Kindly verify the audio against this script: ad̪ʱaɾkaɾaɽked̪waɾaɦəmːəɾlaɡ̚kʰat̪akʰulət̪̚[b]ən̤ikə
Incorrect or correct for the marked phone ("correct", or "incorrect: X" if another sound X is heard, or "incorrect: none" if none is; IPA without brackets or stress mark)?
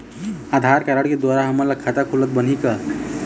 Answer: correct